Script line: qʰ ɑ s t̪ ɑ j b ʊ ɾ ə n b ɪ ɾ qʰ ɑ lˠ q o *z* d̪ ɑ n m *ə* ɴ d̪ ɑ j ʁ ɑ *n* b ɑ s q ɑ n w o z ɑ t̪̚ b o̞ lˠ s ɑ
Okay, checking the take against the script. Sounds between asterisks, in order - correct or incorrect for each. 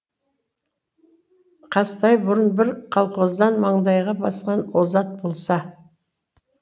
correct, incorrect: ɑ, incorrect: none

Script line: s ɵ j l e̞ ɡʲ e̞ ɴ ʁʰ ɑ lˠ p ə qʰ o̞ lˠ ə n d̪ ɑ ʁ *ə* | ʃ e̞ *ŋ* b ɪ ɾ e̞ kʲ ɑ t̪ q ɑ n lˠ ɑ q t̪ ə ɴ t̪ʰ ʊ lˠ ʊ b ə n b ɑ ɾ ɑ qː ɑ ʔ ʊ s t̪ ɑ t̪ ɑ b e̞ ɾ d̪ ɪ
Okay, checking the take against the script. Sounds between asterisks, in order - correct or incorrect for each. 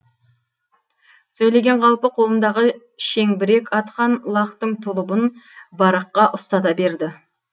correct, correct

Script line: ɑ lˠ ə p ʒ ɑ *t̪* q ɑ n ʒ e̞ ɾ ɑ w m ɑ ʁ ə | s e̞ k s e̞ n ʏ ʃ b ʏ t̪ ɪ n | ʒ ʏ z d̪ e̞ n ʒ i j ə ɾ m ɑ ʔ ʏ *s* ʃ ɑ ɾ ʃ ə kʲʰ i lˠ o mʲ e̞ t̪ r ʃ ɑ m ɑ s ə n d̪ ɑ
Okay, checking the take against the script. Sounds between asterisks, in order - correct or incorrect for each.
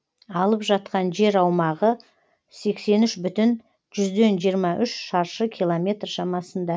correct, incorrect: ʃ

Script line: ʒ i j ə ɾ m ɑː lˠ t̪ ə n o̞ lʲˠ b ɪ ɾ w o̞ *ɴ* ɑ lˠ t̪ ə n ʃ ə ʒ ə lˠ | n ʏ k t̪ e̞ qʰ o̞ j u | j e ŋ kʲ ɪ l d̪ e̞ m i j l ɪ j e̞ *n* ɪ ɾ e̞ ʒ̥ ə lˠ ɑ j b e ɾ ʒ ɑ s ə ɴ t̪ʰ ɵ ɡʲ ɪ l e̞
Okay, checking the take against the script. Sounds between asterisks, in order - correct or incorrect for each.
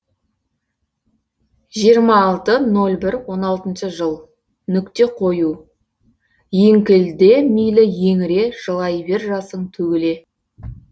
incorrect: n, incorrect: ŋ

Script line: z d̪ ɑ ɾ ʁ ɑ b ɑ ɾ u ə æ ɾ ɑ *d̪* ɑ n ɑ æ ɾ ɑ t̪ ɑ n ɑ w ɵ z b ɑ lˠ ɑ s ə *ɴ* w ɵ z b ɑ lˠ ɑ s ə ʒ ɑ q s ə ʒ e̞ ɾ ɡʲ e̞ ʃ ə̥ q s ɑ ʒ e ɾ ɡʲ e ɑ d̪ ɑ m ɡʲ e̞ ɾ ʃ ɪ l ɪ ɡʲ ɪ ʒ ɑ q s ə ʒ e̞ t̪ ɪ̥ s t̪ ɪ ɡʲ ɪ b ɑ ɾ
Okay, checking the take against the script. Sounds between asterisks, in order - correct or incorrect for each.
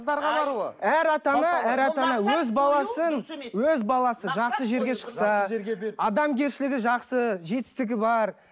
incorrect: t̪, incorrect: n

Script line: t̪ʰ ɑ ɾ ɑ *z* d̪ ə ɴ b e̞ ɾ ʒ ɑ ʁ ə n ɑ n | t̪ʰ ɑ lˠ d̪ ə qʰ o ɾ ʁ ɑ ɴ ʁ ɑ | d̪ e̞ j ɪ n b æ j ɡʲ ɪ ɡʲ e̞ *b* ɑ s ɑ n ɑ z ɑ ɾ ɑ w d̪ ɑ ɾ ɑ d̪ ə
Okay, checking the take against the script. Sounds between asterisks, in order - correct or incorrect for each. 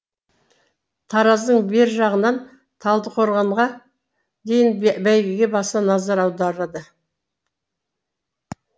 correct, correct

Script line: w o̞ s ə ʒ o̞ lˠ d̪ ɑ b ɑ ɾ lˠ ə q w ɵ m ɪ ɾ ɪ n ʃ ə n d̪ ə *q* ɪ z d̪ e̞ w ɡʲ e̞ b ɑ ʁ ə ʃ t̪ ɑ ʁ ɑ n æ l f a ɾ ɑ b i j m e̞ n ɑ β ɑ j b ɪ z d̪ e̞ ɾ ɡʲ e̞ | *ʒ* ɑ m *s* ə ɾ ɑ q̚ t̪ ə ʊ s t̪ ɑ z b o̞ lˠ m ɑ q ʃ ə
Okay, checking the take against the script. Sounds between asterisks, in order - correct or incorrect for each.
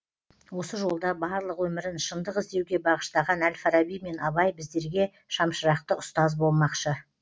correct, incorrect: ʃ, incorrect: ʃ

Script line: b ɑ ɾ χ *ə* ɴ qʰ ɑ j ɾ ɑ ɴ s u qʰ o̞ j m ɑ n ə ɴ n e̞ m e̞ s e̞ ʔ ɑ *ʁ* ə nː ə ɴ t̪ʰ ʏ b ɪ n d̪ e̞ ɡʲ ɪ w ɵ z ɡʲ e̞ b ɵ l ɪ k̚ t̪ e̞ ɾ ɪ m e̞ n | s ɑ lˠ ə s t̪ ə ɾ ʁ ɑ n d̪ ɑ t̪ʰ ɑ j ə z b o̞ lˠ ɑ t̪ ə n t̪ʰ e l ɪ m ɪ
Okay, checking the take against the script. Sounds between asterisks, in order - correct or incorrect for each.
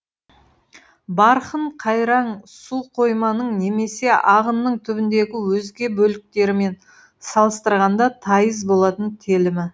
correct, correct

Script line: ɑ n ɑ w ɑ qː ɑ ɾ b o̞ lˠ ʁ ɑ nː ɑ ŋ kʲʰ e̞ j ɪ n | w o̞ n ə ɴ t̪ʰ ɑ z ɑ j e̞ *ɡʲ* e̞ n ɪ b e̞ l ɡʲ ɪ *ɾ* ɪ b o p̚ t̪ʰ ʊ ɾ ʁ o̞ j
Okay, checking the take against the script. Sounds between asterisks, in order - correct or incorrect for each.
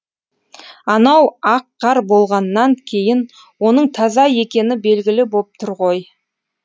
incorrect: kʲ, incorrect: l

